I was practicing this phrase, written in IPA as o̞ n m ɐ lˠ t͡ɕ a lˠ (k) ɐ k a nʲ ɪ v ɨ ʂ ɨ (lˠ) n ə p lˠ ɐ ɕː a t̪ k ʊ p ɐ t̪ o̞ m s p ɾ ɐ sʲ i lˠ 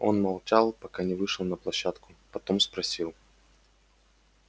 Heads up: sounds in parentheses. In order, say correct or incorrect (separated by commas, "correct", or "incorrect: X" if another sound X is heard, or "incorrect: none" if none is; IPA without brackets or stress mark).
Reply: incorrect: p, correct